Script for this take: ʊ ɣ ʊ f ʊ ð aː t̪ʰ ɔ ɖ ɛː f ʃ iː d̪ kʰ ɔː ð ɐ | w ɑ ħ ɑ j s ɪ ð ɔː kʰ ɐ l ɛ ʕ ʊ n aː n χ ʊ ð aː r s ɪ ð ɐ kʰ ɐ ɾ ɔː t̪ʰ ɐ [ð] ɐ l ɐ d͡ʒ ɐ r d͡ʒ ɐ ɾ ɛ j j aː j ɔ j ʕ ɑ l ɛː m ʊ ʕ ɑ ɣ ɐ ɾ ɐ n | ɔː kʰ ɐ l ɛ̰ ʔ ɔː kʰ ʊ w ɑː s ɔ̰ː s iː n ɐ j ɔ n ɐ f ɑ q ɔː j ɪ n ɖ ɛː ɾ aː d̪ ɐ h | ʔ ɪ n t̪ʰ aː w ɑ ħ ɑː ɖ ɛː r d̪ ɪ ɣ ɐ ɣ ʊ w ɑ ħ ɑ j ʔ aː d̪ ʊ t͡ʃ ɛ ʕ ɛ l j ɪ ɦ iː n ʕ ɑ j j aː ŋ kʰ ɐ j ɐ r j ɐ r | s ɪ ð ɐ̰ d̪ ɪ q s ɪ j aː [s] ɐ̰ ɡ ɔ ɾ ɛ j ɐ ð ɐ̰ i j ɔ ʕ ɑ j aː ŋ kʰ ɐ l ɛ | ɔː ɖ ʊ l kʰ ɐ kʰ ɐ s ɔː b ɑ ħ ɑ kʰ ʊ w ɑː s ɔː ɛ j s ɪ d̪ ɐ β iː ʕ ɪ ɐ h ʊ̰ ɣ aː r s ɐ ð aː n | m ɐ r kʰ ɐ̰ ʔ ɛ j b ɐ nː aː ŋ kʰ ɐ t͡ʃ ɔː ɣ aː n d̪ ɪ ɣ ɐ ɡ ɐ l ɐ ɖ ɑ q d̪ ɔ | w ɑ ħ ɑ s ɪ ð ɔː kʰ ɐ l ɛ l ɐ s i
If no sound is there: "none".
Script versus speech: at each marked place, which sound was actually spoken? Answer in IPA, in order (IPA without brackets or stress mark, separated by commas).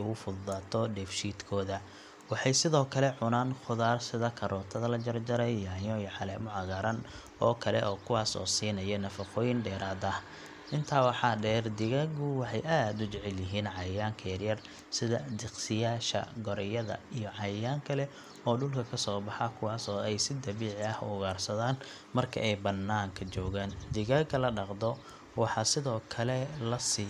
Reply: ð, ʃ